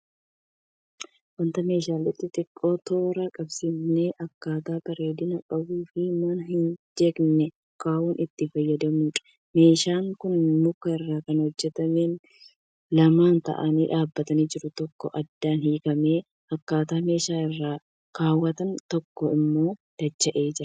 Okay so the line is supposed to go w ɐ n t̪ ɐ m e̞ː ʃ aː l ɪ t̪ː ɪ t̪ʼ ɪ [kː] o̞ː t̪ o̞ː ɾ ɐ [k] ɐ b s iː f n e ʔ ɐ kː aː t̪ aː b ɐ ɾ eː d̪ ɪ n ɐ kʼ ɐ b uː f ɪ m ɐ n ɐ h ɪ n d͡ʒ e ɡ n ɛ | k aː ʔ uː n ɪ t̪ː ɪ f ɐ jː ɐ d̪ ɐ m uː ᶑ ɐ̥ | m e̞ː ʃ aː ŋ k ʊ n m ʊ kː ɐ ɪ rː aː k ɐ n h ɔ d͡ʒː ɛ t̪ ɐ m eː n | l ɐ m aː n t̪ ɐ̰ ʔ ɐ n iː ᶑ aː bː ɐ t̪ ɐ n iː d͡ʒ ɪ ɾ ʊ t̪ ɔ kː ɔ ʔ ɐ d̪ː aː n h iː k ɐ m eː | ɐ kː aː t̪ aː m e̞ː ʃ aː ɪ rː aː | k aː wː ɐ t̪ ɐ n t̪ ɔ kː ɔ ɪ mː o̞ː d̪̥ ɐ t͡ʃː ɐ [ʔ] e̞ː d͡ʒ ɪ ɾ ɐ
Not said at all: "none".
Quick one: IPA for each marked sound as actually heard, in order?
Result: kʼː, kʼ, ʔ

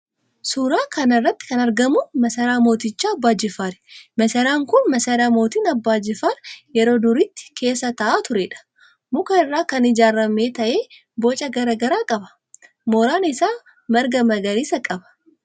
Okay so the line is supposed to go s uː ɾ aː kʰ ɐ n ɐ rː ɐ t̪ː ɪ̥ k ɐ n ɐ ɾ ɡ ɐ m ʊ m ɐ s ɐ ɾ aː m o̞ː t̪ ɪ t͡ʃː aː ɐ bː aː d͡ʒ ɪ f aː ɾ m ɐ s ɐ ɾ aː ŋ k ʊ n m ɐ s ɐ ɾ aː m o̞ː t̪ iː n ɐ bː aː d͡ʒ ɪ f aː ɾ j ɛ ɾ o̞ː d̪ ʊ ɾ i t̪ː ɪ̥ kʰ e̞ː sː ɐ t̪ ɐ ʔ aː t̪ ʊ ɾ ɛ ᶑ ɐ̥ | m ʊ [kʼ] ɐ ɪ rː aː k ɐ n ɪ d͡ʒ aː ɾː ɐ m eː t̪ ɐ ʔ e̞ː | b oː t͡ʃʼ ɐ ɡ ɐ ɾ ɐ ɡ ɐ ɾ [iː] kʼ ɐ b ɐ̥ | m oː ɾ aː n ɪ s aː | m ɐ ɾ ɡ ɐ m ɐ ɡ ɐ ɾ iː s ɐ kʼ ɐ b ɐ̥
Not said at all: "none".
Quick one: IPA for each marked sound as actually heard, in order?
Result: k, aː

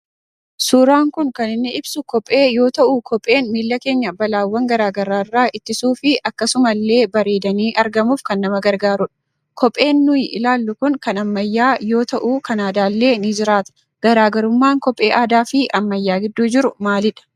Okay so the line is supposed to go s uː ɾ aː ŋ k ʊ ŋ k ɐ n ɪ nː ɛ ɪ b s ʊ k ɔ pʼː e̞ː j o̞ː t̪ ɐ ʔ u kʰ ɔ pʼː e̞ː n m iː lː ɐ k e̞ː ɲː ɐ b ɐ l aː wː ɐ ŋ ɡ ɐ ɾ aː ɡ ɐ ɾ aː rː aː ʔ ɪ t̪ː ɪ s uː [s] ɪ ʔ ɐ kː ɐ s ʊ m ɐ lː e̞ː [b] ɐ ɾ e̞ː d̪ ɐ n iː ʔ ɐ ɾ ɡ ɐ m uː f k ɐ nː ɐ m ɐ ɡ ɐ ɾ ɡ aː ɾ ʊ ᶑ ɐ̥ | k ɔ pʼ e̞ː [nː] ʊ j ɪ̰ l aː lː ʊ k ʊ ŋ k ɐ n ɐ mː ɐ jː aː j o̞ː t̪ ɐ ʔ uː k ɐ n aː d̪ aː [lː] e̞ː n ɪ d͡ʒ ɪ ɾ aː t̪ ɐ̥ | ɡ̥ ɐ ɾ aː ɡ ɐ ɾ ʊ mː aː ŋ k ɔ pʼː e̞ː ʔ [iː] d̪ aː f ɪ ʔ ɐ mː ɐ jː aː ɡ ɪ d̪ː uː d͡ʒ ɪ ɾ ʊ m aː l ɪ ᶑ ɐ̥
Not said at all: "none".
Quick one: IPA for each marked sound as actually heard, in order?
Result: f, b, nː, lː, aː

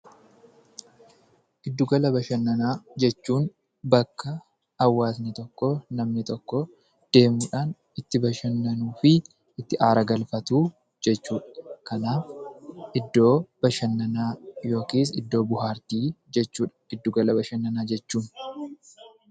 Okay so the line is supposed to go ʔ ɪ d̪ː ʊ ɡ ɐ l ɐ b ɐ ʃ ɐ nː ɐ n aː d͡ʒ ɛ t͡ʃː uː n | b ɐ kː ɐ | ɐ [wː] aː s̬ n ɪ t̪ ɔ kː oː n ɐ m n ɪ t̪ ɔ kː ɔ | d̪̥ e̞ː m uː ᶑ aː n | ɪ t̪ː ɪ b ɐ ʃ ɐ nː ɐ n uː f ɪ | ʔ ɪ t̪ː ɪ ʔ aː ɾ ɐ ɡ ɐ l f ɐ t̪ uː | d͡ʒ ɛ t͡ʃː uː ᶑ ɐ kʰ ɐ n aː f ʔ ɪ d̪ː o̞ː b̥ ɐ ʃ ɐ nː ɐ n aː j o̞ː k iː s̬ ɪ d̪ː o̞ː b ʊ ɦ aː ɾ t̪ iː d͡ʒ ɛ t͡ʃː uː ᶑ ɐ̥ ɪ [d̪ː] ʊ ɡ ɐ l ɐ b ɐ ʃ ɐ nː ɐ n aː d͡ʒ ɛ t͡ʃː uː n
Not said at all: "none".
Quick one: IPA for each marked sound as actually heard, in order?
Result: wː, d̪ː

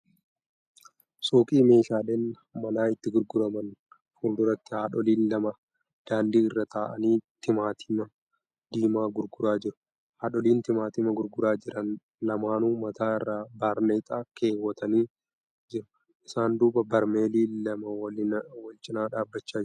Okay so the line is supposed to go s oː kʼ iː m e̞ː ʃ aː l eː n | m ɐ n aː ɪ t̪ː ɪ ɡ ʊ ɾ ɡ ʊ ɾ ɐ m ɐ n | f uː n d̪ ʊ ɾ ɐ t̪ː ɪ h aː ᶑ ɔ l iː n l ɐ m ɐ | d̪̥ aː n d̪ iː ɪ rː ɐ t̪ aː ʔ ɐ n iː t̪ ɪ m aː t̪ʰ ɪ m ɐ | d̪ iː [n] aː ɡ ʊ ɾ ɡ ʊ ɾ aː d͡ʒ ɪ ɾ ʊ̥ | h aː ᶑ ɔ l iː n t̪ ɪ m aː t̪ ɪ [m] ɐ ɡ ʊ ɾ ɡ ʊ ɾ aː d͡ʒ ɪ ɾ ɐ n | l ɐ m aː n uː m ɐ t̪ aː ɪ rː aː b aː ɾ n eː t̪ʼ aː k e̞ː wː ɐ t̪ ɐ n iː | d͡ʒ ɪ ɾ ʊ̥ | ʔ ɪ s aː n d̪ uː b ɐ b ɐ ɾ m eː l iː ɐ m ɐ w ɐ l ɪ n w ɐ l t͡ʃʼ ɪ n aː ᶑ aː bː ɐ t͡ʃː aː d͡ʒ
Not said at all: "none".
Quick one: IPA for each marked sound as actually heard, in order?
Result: m, m

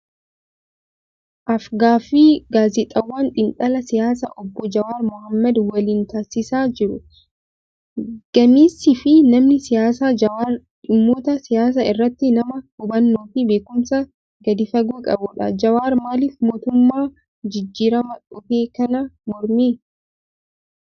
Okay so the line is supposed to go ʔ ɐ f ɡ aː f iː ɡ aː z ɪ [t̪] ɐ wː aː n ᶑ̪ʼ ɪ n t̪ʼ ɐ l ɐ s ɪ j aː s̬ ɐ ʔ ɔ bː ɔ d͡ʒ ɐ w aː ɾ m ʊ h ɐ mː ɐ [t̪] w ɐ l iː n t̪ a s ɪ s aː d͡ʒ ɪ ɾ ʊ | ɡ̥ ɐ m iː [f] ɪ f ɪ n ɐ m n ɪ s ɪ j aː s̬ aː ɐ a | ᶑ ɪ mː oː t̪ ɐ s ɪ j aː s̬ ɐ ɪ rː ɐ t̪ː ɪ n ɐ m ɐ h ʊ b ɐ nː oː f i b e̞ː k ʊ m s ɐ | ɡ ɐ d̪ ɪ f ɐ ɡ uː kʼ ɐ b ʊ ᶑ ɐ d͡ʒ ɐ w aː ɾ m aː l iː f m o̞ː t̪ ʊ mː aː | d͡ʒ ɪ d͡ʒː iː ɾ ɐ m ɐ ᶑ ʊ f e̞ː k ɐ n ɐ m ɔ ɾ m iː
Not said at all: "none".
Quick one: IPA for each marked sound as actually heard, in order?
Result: t̪ʼ, d̪, s

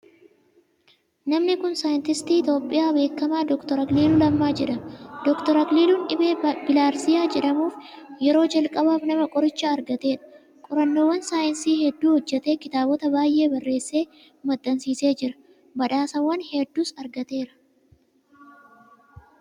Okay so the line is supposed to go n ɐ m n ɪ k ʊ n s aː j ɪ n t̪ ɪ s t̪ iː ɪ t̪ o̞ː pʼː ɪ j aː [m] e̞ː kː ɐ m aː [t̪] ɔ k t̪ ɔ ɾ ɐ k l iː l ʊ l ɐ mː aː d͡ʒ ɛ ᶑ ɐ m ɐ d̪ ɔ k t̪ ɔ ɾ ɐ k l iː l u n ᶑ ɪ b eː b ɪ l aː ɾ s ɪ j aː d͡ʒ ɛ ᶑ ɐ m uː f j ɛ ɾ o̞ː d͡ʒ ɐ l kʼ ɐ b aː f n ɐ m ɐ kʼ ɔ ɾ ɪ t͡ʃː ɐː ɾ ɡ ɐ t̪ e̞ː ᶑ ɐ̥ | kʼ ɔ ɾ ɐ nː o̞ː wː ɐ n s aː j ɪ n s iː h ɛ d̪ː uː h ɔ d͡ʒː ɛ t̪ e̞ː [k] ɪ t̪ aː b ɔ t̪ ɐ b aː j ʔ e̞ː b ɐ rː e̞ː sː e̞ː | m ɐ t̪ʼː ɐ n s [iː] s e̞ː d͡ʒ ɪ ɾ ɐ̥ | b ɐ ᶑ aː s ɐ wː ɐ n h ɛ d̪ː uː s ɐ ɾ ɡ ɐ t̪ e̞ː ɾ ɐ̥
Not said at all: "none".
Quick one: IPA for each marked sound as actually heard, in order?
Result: b, d̪, k, iː

